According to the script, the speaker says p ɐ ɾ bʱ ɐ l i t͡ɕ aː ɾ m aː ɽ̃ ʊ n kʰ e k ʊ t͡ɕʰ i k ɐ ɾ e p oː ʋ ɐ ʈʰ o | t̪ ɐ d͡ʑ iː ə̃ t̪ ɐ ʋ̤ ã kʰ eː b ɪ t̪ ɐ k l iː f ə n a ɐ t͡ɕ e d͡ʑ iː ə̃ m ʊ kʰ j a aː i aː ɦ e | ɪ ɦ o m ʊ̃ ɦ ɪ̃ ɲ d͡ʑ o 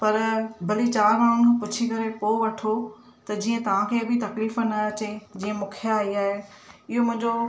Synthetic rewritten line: p ɐ ɾ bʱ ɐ l i t͡ɕ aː ɾ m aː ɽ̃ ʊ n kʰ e p ʊ t͡ɕʰ i k ɐ ɾ e p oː ʋ ɐ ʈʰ o | t̪ ɐ d͡ʑ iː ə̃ t̪ ɐ ʋ̤ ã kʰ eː b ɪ t̪ ɐ k l iː f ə n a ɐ t͡ɕ e d͡ʑ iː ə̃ m ʊ kʰ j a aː i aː ɦ e | ɪ ɦ o m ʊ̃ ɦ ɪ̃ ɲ d͡ʑ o